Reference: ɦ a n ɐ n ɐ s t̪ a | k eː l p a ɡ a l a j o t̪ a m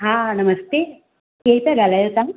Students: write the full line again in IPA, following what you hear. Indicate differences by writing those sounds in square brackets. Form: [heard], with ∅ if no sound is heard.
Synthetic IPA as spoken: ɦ a n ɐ [m] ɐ s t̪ [e] | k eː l p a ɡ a l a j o t̪ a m